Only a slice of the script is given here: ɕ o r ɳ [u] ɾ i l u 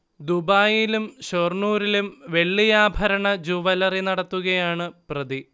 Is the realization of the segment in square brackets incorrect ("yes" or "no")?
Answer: yes